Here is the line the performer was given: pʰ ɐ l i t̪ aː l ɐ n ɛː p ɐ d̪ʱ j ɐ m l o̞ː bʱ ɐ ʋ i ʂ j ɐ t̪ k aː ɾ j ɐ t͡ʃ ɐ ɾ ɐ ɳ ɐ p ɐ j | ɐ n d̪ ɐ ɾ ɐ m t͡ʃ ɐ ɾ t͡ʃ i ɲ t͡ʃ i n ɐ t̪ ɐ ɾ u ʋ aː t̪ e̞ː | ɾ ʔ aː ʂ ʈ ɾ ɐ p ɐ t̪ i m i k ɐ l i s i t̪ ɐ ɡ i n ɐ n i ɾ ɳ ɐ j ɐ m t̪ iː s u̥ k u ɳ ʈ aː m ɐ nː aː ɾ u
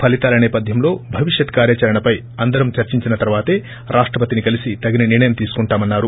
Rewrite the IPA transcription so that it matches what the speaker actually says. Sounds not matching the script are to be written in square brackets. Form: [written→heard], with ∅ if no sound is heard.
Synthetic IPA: pʰ ɐ l i t̪ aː l ɐ n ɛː p ɐ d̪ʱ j ɐ m l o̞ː bʱ ɐ ʋ i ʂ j ɐ t̪ k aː ɾ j ɐ t͡ʃ ɐ ɾ ɐ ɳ ɐ p ɐ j | ɐ n d̪ ɐ ɾ ɐ m t͡ʃ ɐ ɾ t͡ʃ i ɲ t͡ʃ i n ɐ t̪ ɐ ɾ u ʋ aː t̪ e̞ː | ɾ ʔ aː ʂ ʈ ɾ ɐ p ɐ t̪ i [m→n] i k ɐ l i s i t̪ ɐ ɡ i n ɐ n i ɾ ɳ ɐ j ɐ m t̪ iː s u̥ k u ɳ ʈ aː m ɐ nː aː ɾ u